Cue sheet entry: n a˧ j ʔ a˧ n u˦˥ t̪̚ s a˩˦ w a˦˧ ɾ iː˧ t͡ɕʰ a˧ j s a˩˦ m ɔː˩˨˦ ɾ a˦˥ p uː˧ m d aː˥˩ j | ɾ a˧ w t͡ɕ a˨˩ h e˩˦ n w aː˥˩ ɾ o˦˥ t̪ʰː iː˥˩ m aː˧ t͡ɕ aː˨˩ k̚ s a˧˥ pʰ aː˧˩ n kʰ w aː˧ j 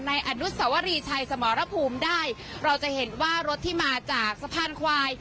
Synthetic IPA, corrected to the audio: n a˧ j ʔ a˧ n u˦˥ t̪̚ s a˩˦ w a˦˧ ɾ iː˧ t͡ɕʰ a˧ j s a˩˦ m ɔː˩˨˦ ɾ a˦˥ pʰ uː˧ m d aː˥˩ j | ɾ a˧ w t͡ɕ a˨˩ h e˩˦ n w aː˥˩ ɾ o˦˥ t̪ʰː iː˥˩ m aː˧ t͡ɕ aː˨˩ k̚ s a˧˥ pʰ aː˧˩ n kʰ w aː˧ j